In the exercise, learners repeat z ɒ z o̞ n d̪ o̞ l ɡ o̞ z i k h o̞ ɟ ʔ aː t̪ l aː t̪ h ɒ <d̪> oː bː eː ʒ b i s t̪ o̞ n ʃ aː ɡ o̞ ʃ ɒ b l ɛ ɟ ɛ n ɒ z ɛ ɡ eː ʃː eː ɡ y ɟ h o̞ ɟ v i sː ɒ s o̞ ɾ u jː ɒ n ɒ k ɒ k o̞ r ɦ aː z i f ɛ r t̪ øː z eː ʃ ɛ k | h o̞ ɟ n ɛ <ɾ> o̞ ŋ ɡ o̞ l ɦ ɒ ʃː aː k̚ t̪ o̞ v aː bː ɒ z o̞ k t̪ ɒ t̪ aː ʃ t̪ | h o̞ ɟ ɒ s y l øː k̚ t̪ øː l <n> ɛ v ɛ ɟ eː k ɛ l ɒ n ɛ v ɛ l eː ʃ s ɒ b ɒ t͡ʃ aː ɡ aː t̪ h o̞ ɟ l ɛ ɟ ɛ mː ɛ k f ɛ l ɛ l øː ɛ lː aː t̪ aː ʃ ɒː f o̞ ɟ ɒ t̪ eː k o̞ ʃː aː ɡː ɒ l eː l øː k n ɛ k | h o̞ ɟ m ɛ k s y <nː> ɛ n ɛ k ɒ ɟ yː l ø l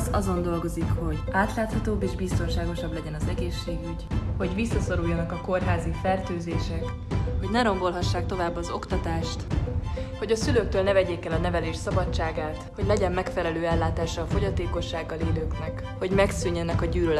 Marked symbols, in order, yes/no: no, yes, yes, no

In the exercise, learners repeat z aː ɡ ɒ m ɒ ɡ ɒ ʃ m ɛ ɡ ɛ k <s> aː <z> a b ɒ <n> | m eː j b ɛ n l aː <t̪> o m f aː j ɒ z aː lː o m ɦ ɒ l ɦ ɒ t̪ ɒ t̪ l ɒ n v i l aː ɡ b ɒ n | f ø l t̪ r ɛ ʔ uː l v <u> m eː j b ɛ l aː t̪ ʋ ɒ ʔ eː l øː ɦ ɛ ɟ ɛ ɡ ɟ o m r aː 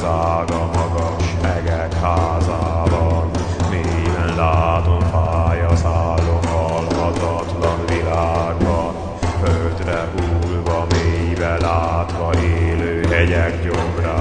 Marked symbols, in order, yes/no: no, yes, yes, yes, no

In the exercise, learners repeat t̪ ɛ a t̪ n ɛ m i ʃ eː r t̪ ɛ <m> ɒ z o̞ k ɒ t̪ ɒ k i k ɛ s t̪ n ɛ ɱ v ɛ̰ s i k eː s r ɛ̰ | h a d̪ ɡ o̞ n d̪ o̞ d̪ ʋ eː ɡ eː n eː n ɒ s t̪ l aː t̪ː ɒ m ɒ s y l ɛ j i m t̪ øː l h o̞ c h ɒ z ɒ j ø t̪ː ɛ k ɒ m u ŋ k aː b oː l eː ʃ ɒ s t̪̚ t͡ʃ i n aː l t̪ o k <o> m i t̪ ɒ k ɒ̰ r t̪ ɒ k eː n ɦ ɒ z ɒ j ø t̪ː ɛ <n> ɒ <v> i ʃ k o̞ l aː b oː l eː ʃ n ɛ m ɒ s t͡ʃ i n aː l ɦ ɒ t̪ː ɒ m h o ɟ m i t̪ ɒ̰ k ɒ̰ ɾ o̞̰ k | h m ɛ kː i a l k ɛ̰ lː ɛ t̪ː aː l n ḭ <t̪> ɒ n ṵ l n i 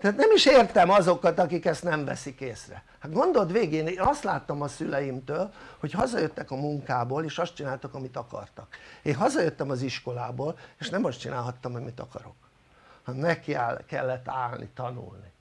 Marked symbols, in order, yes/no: yes, no, no, no, yes

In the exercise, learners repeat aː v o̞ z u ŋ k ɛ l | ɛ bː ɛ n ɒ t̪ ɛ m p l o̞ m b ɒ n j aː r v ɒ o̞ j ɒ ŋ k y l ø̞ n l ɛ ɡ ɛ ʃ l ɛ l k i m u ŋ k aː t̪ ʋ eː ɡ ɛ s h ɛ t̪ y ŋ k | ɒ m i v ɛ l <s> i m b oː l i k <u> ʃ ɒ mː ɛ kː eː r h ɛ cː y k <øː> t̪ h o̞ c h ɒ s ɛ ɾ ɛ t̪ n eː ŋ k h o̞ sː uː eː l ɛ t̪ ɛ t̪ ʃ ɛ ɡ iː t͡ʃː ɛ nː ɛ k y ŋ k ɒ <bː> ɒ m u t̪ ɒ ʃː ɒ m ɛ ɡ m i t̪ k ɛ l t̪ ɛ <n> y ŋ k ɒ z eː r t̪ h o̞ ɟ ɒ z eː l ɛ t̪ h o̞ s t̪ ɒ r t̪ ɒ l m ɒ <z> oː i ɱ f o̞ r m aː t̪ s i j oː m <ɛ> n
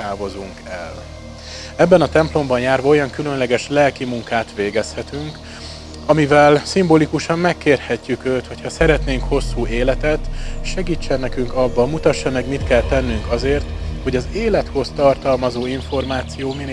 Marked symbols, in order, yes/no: yes, yes, yes, yes, no, yes, no

